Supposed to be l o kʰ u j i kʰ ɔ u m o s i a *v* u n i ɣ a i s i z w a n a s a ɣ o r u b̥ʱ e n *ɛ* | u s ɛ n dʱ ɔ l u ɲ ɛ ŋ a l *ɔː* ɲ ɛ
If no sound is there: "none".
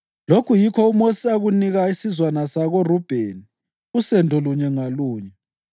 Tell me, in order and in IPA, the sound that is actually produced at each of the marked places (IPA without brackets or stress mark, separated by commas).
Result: ɣ, i, uː